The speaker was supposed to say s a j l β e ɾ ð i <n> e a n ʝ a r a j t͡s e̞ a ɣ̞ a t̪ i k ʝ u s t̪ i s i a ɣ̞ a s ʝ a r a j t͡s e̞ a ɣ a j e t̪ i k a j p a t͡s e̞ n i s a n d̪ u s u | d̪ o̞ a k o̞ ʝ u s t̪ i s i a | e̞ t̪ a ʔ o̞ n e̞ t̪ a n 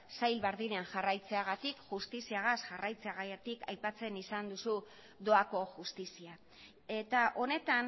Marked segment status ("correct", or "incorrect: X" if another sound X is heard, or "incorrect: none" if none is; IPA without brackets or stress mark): correct